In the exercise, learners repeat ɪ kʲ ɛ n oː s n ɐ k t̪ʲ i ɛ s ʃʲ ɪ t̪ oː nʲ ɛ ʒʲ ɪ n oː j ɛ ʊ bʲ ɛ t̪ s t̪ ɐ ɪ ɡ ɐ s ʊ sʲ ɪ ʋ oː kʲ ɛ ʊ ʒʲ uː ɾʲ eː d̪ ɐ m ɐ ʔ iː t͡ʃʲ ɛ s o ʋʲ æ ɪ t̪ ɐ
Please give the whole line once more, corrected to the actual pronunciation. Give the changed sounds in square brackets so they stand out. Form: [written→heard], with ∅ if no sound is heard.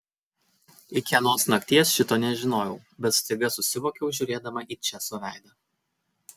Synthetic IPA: ɪ kʲ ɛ n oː s n ɐ k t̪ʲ i ɛ s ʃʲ ɪ t̪ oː nʲ ɛ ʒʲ ɪ n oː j ɛ ʊ bʲ ɛ t̪ s t̪ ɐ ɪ ɡ ɐ s ʊ sʲ ɪ ʋ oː kʲ ɛ ʊ ʒʲ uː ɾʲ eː d̪ ɐ m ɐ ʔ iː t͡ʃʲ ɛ s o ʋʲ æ ɪ [t̪→d̪] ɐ